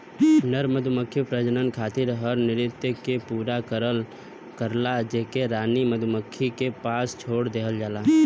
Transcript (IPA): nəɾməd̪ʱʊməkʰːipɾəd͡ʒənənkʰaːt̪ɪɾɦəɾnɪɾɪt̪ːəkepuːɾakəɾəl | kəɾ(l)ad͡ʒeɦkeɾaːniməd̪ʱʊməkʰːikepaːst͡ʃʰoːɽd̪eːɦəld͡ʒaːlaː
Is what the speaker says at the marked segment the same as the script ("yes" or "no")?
yes